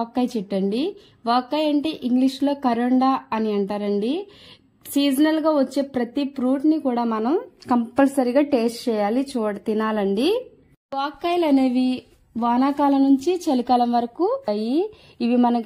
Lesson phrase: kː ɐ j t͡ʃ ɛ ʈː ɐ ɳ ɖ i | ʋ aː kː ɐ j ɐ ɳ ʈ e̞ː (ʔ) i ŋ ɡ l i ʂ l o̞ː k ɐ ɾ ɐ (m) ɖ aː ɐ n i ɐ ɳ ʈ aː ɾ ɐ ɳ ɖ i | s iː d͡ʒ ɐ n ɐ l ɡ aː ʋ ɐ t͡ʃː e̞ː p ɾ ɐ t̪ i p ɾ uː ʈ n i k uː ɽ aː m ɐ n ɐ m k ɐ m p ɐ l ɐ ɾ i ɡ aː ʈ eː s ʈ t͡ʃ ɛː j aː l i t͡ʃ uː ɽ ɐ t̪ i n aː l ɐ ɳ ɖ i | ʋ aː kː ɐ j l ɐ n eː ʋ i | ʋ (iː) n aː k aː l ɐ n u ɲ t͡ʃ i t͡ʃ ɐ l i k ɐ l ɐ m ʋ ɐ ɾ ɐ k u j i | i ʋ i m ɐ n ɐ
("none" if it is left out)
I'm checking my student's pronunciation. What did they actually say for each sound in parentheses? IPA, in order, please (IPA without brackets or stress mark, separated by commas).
ʔ, ɳ, aː